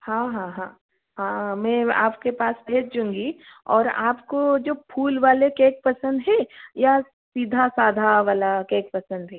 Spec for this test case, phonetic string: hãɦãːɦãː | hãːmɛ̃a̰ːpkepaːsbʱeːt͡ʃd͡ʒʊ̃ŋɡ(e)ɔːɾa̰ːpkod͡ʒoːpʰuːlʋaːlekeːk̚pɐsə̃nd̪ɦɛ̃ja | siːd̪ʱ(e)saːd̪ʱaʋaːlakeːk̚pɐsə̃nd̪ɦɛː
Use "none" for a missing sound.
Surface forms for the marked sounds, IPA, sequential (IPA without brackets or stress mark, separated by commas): i, a